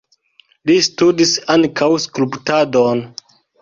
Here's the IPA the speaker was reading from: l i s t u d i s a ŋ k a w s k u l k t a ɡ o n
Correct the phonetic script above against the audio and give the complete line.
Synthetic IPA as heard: l i s t u d i s a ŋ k a w s k u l p t a d o n